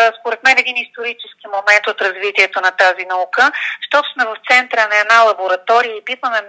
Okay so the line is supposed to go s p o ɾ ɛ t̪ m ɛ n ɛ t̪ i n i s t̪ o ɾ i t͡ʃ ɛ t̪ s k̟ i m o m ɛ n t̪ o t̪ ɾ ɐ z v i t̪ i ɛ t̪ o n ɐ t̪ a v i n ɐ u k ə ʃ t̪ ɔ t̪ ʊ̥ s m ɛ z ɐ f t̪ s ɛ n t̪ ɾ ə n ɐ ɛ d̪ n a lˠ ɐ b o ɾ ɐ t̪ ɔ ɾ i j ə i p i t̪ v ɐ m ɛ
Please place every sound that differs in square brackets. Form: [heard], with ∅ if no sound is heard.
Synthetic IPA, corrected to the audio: s p o ɾ ɛ t̪ m ɛ n ɛ [d̪] i n i s t̪ o ɾ i t͡ʃ ɛ [∅] s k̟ i m o m ɛ n t̪ o t̪ ɾ ɐ z v i t̪ i ɛ t̪ o n ɐ t̪ a [z] i n ɐ u k ə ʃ t̪ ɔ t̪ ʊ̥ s m ɛ [v] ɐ f t̪ s ɛ n t̪ ɾ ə n ɐ ɛ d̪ n a lˠ ɐ b o ɾ ɐ t̪ ɔ ɾ i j ə i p i t̪ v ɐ m ɛ